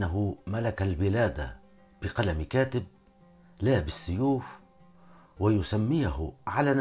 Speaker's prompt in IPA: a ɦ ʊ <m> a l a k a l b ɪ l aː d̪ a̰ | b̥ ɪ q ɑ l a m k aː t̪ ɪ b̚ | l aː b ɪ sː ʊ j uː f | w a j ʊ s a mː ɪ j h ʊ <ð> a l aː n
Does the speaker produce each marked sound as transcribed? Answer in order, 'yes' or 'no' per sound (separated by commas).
yes, no